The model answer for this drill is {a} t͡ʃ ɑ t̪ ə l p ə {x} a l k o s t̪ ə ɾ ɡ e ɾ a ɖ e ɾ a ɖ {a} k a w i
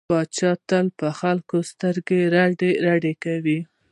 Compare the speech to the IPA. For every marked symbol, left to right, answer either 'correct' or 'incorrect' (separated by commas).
incorrect, correct, incorrect